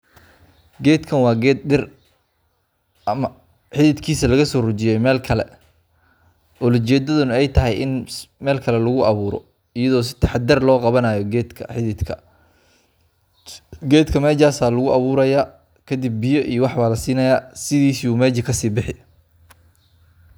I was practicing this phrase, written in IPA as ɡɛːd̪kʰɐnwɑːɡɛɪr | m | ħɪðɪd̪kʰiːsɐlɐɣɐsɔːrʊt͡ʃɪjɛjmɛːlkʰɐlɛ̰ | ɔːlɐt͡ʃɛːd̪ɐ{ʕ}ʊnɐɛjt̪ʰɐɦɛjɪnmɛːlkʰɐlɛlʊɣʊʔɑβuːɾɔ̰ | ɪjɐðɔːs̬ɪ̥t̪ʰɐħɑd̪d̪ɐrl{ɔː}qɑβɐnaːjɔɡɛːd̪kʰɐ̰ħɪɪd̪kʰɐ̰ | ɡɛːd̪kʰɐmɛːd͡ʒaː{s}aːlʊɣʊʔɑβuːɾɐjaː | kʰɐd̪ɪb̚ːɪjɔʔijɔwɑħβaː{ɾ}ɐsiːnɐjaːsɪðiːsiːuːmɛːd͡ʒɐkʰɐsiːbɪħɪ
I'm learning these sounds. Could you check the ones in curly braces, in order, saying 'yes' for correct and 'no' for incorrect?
no, yes, yes, no

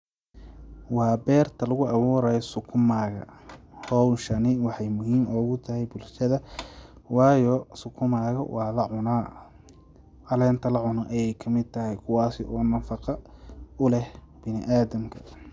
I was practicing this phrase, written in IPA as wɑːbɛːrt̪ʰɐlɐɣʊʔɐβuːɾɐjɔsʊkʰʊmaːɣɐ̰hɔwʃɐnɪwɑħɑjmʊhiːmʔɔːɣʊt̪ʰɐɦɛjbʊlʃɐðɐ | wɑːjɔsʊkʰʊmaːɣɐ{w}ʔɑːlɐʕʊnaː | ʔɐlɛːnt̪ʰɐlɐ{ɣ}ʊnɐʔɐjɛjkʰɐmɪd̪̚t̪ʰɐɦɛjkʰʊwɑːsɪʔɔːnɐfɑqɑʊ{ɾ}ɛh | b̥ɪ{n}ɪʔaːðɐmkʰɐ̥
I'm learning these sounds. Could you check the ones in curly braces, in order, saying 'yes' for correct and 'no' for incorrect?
yes, no, no, yes

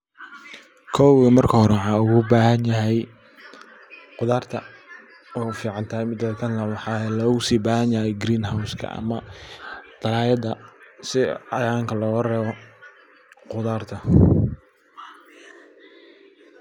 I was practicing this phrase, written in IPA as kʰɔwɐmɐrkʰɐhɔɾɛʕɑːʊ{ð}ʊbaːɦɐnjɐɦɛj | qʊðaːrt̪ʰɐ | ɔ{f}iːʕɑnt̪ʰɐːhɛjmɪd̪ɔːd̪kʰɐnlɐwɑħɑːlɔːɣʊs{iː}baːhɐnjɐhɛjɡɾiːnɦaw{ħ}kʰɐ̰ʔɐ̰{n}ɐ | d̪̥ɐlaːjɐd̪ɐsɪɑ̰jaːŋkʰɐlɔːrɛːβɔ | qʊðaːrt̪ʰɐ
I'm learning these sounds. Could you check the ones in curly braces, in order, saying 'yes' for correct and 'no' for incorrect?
no, yes, yes, no, no

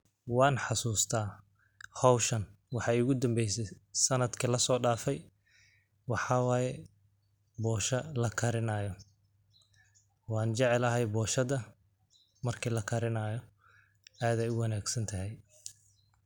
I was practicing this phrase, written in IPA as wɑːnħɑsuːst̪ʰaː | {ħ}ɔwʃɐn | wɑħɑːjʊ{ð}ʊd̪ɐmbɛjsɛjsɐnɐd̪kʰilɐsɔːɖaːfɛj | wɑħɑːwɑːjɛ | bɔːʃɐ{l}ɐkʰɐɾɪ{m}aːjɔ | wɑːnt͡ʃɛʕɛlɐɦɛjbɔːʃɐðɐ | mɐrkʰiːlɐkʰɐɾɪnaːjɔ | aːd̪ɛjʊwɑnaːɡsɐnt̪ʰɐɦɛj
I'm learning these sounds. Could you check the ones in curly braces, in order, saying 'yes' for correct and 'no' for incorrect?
no, no, yes, no

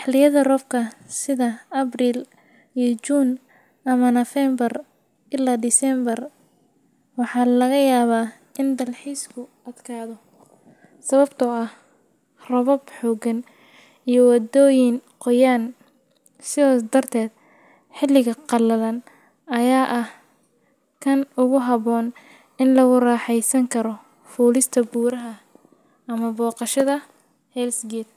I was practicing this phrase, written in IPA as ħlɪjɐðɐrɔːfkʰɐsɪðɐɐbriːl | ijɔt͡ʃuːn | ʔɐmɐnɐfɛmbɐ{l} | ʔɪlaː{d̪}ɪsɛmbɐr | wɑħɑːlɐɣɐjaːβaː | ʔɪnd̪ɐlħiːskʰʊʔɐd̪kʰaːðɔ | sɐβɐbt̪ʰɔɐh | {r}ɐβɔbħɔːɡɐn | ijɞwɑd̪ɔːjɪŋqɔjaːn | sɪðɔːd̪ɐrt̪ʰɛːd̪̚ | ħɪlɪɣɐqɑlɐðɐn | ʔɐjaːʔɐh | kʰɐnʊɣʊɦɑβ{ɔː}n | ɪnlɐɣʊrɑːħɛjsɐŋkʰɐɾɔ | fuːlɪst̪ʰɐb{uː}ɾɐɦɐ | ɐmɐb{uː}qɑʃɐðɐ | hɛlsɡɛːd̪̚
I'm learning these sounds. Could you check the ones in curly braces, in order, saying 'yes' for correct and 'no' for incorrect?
no, yes, yes, yes, yes, no

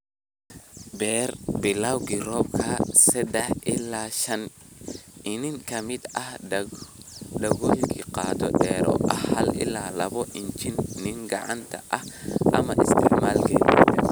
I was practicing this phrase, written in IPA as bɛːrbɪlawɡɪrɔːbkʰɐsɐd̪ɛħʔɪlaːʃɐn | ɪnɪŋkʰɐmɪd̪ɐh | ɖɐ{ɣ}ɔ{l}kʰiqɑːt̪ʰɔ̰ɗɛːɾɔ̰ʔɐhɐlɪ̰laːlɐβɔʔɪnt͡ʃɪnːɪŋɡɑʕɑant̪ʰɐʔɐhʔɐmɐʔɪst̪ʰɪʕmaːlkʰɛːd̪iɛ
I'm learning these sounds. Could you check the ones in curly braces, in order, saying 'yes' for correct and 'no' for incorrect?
yes, yes

